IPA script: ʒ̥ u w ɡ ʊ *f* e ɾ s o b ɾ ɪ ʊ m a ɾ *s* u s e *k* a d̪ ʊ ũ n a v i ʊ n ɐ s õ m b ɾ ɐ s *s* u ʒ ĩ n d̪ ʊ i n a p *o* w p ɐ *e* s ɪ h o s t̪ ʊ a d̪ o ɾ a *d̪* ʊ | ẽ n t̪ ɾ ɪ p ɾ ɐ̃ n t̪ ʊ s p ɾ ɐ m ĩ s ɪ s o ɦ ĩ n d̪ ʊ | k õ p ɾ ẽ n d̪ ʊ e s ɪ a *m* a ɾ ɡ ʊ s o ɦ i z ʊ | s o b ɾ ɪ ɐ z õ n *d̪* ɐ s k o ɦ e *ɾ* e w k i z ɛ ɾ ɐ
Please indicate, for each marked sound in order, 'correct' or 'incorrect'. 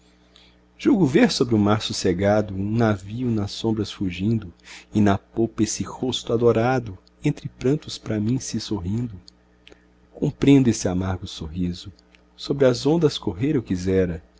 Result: incorrect: v, correct, incorrect: ɡ, incorrect: f, correct, correct, correct, correct, correct, correct

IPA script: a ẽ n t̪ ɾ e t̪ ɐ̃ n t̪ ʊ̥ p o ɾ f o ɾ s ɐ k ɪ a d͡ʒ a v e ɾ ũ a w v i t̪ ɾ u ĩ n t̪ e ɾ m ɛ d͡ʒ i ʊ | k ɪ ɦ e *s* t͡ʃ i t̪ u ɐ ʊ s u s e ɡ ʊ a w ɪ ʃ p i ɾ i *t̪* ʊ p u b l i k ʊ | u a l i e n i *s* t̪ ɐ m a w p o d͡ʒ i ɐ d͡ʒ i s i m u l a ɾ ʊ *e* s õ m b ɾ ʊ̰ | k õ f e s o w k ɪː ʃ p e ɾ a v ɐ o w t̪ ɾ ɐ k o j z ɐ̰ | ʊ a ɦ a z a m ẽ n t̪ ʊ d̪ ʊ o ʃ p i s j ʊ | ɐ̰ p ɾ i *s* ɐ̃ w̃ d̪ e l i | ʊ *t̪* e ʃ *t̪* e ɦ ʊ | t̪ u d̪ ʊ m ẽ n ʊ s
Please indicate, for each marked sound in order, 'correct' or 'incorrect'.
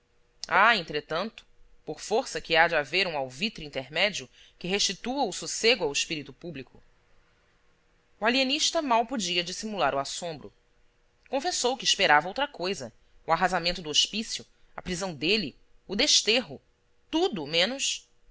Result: incorrect: ʃ, correct, incorrect: ʃ, incorrect: a, incorrect: z, incorrect: d̪, correct

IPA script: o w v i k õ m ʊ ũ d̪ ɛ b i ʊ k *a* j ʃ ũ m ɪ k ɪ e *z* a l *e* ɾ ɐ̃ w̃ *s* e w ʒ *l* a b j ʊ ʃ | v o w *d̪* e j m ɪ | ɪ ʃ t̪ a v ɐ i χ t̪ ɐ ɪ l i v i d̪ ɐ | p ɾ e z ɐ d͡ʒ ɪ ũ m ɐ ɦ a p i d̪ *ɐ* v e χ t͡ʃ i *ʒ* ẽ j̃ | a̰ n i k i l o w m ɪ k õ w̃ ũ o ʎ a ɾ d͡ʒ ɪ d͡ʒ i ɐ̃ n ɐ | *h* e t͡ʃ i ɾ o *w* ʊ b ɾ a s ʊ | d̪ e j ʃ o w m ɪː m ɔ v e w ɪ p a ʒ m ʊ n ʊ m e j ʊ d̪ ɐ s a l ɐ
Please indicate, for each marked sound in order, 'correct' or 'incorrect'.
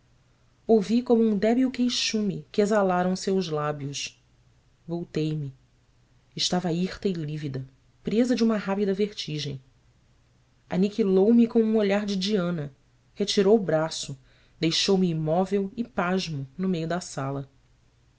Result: incorrect: e, correct, incorrect: a, correct, correct, incorrect: t̪, correct, correct, correct, correct

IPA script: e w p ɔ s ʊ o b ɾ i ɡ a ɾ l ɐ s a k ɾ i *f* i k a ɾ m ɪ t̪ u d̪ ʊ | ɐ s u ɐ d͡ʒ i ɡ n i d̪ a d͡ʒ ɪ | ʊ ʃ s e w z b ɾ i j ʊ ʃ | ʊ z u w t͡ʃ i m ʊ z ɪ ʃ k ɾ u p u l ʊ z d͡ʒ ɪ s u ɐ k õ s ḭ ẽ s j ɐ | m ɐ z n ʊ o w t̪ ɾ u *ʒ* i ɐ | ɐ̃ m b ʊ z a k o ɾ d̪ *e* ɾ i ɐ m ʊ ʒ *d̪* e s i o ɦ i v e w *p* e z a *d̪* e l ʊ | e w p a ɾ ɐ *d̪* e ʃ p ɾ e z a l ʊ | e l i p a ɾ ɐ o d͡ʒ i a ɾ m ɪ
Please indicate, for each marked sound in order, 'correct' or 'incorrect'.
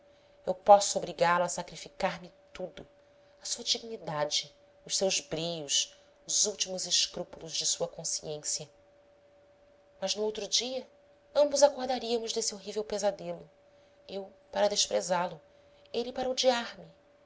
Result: correct, incorrect: d͡ʒ, incorrect: a, correct, correct, correct, correct

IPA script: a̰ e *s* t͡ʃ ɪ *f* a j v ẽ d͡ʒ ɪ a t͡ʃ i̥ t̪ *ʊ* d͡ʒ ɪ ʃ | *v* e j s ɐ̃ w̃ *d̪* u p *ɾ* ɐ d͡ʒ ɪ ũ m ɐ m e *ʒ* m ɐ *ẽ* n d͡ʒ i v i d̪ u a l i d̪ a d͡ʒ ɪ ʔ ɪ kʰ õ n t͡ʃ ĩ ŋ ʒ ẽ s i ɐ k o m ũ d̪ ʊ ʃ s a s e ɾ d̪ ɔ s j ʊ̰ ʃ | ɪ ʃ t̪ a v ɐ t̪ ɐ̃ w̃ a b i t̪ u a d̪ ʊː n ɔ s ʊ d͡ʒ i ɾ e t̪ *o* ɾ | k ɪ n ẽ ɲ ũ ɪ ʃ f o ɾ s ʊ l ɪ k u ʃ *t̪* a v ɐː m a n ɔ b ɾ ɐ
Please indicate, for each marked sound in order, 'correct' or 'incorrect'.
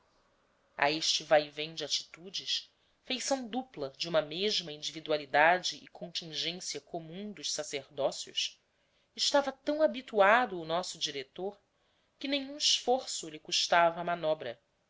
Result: incorrect: ʃ, incorrect: v, incorrect: u, incorrect: f, correct, incorrect: l, correct, incorrect: ĩ, correct, correct

